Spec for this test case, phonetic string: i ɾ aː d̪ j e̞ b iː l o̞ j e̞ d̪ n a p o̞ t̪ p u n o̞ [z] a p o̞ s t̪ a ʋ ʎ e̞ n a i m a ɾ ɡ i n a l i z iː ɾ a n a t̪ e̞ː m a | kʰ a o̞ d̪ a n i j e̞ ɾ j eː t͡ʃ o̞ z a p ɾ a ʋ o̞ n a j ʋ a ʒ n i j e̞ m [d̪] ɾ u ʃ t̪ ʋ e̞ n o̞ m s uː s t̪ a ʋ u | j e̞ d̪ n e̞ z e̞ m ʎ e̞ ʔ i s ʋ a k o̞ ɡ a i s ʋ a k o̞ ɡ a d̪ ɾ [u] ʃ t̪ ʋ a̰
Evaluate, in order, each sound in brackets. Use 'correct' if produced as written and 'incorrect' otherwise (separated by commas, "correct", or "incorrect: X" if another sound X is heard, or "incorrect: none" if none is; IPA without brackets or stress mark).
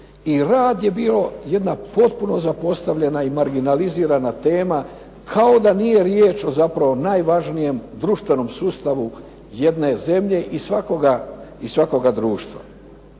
correct, correct, incorrect: uː